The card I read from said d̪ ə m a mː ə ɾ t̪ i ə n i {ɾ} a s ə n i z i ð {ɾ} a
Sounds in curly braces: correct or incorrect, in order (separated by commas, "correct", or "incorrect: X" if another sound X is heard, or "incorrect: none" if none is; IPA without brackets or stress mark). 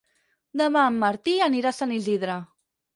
correct, correct